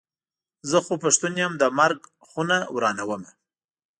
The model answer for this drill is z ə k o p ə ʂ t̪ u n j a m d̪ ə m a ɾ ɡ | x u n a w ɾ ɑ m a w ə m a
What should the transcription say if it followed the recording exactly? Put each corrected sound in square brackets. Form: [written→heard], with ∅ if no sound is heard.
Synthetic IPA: z ə [k→x] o p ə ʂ t̪ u n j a m d̪ ə m a ɾ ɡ | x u n a w ɾ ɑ [m→n] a w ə m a

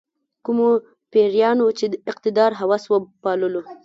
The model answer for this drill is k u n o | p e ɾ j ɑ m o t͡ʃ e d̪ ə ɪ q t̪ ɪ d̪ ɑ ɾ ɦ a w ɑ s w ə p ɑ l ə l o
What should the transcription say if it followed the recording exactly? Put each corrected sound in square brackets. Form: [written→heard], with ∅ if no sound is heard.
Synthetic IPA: k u [n→m] o | p e ɾ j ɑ [m→n] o t͡ʃ e d̪ ə ɪ q t̪ ɪ d̪ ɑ ɾ ɦ a w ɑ s w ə p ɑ l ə l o

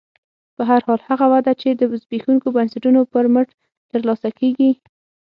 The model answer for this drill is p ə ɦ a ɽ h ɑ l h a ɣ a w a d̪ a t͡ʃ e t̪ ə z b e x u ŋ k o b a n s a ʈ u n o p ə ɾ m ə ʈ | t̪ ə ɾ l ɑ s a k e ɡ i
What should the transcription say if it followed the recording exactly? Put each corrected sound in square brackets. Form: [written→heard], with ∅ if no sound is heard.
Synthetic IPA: p ə ɦ a [ɽ→ɾ] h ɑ l h a ɣ a w a d̪ a t͡ʃ e [t̪→d̪] ə z b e x u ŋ k o b a n s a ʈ u n o p ə ɾ m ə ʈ | t̪ ə ɾ l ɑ s a k e ɡ i

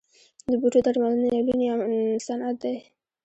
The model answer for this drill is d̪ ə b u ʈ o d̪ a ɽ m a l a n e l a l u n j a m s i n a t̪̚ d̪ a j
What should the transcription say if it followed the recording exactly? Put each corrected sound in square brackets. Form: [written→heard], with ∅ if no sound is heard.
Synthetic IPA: d̪ ə b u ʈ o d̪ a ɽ m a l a n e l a l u n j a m s [i→a] n a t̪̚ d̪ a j

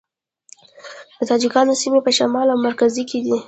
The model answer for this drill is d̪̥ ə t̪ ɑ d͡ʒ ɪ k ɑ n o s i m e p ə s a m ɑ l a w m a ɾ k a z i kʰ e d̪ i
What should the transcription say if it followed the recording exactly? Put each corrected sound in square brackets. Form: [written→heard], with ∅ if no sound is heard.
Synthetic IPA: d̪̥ ə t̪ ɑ d͡ʒ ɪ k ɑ n o s i m e p ə [s→ʃ] a m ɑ l a w m a ɾ k a z i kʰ e d̪ i

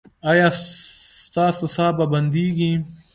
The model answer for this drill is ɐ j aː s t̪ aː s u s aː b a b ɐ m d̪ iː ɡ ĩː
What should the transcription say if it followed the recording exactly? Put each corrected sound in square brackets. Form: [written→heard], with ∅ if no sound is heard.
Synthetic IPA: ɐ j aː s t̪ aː s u s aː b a b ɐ [m→n] d̪ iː ɡ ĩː

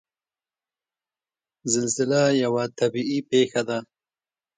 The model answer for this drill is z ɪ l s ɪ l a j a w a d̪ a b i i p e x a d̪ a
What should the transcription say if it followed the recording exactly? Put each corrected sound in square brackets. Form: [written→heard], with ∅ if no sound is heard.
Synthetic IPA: z ɪ l [s→z] ɪ l a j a w a [d̪→t̪] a b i i p e x a d̪ a

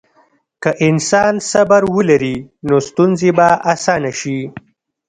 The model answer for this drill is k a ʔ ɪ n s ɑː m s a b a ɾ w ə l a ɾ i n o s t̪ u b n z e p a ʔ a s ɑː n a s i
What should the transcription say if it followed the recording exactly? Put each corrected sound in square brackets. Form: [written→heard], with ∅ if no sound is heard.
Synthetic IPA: k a ʔ ɪ n s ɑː [m→n] s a b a ɾ w ə l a ɾ i n o s t̪ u [b→∅] n z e [p→b] a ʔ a s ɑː n a [s→ʃ] i

